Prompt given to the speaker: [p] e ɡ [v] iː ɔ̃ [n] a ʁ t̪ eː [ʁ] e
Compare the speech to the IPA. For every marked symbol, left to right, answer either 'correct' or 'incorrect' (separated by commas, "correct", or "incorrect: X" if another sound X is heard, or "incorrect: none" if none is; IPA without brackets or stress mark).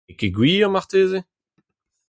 incorrect: k, incorrect: w, incorrect: m, incorrect: z